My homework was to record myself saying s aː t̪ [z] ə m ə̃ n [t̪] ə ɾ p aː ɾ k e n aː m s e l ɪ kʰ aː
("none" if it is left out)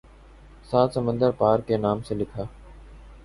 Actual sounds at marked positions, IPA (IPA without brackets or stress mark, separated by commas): s, d̪